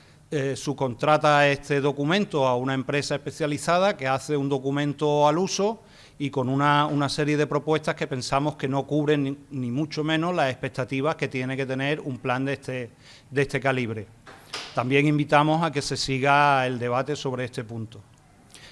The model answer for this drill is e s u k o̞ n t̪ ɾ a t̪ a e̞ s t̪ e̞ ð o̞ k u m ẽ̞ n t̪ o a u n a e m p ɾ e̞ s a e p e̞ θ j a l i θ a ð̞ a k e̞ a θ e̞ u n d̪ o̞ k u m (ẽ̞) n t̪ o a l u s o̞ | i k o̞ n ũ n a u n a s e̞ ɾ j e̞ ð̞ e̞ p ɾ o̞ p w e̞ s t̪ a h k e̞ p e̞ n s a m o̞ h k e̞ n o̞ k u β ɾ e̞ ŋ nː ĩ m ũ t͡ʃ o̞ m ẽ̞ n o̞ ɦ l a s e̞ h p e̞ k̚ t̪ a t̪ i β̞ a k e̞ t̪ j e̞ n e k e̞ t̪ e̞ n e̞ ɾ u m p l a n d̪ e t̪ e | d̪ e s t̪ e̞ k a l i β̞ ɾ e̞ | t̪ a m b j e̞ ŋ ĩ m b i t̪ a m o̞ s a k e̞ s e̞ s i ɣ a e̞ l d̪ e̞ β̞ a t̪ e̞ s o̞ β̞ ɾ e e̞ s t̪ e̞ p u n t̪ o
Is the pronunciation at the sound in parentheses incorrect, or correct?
correct